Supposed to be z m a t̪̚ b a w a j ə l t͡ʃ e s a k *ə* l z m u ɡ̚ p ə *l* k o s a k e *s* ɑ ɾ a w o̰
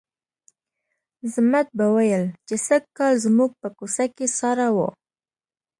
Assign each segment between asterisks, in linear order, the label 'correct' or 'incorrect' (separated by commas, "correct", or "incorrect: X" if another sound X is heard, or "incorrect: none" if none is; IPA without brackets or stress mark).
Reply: incorrect: ɑ, incorrect: none, correct